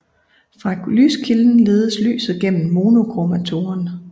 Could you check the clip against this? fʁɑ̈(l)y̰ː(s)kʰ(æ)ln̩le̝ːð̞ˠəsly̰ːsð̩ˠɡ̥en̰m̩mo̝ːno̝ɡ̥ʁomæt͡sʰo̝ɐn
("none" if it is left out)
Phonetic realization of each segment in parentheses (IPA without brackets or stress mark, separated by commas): l, s, i